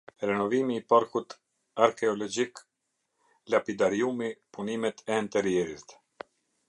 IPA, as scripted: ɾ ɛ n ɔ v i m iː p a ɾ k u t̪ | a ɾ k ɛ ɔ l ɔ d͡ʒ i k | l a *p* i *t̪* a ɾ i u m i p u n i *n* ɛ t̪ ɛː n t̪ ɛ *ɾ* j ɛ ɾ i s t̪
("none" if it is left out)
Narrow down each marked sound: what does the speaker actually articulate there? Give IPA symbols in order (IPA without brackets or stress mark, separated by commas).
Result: p, d̪, m, ɾ